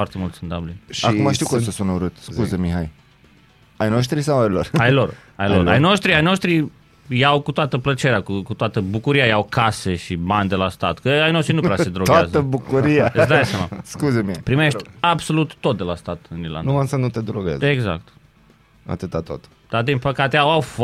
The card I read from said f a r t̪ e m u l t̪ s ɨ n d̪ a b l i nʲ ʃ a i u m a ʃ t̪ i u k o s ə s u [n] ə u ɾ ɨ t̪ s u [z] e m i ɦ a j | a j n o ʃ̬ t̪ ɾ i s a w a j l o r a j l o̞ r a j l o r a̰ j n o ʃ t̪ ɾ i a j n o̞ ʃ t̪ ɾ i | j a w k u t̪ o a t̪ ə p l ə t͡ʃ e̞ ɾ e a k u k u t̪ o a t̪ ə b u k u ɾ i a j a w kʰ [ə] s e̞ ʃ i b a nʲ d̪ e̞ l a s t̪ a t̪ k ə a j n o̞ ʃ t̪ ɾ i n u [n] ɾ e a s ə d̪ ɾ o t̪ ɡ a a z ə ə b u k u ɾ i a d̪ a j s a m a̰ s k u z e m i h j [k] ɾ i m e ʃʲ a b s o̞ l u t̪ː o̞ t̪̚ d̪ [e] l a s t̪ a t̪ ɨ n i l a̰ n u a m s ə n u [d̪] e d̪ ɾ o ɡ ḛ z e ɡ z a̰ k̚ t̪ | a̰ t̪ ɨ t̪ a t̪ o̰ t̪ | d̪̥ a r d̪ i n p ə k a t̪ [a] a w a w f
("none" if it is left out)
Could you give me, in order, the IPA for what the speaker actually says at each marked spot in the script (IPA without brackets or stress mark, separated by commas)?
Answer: n, z, a, n, p, e, t̪, e